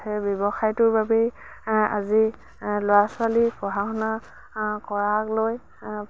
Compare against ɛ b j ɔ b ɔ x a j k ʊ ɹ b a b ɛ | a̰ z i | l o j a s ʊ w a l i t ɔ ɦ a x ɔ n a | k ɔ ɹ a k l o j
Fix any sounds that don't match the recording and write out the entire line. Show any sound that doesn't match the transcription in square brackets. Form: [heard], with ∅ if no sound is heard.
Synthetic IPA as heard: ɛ b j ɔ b ɔ x a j [t] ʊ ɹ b a b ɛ | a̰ z i | l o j a s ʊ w a l i [p] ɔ ɦ a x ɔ n a | k ɔ ɹ a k l o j